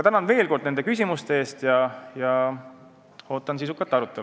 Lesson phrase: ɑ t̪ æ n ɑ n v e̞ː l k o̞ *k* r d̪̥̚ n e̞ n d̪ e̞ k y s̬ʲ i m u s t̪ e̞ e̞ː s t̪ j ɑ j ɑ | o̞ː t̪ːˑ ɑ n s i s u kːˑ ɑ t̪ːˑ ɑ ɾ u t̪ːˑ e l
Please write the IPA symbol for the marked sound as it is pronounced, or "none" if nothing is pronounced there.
none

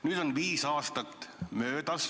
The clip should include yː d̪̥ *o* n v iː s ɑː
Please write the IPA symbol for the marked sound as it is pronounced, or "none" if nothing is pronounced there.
o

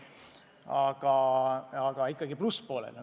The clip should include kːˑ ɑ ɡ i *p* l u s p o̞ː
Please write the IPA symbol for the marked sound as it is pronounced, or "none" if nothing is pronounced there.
p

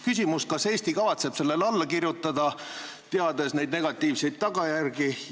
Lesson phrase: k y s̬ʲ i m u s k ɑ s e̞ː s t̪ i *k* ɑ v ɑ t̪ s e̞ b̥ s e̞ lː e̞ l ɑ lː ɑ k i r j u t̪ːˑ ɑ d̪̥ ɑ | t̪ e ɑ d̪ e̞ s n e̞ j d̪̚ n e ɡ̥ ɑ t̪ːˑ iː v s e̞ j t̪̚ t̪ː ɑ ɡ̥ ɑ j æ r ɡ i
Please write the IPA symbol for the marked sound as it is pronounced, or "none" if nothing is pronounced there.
k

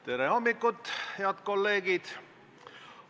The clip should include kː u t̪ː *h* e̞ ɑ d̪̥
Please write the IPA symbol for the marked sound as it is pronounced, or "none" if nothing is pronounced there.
h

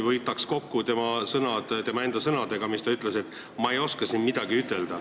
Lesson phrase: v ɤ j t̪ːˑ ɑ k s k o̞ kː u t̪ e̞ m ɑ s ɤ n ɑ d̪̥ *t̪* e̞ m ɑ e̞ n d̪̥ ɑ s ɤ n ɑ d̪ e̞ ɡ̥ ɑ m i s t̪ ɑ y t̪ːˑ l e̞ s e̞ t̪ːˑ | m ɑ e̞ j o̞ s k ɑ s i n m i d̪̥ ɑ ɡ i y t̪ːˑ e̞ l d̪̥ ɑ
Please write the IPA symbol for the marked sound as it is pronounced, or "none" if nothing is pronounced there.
t̪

